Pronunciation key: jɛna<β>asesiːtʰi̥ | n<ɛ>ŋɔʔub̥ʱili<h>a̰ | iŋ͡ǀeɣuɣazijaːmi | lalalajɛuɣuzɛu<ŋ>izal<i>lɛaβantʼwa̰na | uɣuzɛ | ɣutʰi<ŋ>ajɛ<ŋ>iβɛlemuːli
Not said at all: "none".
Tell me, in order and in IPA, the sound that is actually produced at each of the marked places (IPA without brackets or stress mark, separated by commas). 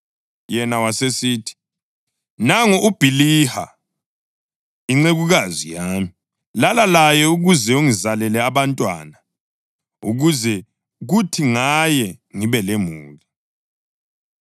w, a, h, ŋ, ɛ, ŋ, ŋ